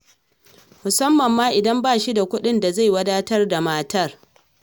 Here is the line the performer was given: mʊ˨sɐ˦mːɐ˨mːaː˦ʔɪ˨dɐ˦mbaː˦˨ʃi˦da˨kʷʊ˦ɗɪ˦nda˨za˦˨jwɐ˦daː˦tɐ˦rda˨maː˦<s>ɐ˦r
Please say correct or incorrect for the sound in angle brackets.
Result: incorrect